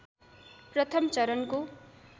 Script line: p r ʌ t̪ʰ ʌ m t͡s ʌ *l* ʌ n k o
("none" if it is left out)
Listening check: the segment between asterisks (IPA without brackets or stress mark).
ɾ